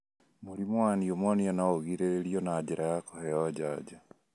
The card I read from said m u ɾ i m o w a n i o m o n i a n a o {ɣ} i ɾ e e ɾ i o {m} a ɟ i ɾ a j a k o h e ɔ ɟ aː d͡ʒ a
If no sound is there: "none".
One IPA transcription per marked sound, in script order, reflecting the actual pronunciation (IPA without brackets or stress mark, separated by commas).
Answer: ɣ, n